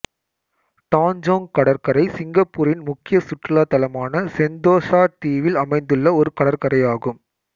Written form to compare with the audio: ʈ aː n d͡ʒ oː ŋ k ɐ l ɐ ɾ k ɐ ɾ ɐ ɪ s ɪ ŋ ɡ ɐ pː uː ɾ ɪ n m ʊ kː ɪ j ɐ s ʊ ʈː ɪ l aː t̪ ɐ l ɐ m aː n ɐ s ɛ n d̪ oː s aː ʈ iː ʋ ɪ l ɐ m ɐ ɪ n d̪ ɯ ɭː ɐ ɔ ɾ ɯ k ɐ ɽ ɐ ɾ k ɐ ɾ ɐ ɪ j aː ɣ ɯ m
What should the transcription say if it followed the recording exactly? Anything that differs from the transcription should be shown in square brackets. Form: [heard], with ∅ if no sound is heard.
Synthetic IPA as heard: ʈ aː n d͡ʒ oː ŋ k ɐ [ɽ] ɐ ɾ k ɐ ɾ ɐ ɪ s ɪ ŋ ɡ ɐ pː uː ɾ ɪ n m ʊ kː ɪ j ɐ s ʊ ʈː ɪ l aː t̪ ɐ l ɐ m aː n ɐ s ɛ n d̪ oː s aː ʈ iː ʋ ɪ l ɐ m ɐ ɪ n d̪ ɯ ɭː ɐ ɔ ɾ ɯ k ɐ ɽ ɐ ɾ k ɐ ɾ ɐ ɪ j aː ɣ ɯ m

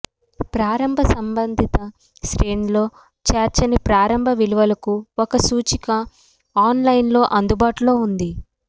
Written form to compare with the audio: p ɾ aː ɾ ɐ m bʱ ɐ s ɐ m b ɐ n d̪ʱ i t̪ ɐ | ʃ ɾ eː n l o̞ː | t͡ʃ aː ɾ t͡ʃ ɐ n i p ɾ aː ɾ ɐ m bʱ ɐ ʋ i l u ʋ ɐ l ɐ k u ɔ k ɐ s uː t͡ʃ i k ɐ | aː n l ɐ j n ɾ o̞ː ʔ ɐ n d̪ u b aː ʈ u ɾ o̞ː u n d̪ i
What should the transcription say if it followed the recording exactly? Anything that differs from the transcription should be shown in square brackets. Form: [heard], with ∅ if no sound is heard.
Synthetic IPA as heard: p ɾ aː ɾ ɐ m bʱ ɐ s ɐ m b ɐ n d̪ʱ i t̪ ɐ | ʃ ɾ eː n l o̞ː | t͡ʃ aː ɾ t͡ʃ ɐ n i p ɾ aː ɾ ɐ m bʱ ɐ ʋ i l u ʋ ɐ l ɐ k u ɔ k ɐ s uː t͡ʃ i k ɐ | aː n l ɐ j n [l] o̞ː ʔ ɐ n d̪ u b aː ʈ u [l] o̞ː u n d̪ i

